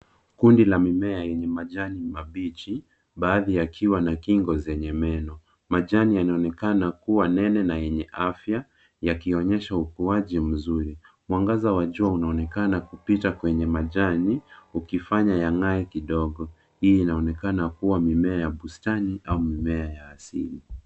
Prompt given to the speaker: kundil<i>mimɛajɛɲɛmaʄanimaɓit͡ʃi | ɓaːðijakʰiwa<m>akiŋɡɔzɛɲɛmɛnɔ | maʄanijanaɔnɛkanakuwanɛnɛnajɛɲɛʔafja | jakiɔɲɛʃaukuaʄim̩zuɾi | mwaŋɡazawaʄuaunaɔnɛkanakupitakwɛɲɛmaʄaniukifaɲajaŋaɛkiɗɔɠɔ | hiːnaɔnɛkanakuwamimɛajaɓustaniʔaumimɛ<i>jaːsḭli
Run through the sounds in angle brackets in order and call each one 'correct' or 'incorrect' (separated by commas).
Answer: incorrect, incorrect, incorrect